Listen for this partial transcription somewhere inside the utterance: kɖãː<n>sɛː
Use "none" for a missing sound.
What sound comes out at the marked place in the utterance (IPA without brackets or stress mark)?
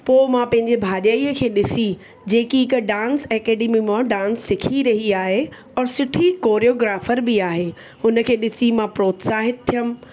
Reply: n